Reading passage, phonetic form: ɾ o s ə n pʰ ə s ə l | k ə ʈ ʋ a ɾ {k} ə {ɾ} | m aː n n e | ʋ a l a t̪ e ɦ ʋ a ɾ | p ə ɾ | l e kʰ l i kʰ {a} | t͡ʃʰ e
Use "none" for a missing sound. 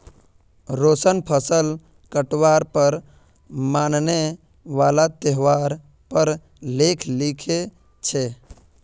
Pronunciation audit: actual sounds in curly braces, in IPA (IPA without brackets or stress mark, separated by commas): p, ɾ, e